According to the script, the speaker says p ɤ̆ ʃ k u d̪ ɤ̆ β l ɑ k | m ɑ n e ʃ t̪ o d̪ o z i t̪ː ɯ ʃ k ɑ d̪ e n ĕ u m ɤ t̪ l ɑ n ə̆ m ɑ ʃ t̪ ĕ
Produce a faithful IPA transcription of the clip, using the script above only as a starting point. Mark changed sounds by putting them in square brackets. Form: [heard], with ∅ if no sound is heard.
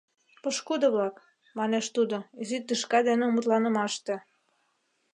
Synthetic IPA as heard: p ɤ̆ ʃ k u d̪ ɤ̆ β l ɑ k | m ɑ n e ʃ t̪ [u] d̪ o z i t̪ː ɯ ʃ k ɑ d̪ e n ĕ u m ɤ t̪ l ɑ n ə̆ m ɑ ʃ t̪ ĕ